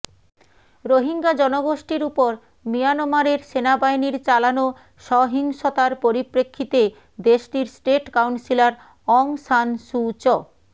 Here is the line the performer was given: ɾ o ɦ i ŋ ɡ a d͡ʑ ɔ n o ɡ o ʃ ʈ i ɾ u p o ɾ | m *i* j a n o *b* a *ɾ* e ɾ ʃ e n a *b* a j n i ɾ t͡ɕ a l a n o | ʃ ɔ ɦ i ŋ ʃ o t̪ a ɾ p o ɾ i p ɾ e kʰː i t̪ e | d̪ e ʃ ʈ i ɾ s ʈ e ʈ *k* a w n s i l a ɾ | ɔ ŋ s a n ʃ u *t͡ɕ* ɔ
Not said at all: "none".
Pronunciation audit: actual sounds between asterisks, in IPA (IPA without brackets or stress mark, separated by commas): i, m, ɾ, b, k, t͡ɕ